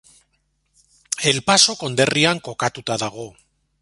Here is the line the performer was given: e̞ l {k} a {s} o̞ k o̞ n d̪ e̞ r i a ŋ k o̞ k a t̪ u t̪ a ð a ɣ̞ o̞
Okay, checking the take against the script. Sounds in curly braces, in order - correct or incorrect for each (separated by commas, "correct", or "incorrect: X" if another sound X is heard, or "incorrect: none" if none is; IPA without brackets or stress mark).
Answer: incorrect: p, correct